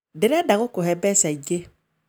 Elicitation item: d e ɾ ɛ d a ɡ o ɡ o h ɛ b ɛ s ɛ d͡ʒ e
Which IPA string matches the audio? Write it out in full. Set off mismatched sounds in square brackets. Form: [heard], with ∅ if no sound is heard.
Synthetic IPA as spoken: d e ɾ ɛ d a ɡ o [k] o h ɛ b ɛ s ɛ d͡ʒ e